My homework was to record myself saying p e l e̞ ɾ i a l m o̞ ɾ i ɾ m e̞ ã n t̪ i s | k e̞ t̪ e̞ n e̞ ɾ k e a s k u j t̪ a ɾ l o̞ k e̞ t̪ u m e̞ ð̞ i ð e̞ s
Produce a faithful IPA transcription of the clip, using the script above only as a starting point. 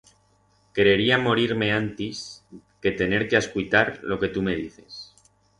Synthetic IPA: k e ɾ e̞ ɾ i a m o̞ ɾ i ɾ m e̞ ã n t̪ i s | k e̞ t̪ e̞ n e̞ ɾ k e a s k u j t̪ a ɾ l o̞ k e̞ t̪ u m e̞ ð̞ i θ e̞ s